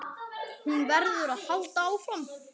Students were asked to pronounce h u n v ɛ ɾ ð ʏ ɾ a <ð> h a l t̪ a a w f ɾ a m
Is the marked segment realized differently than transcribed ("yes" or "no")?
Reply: no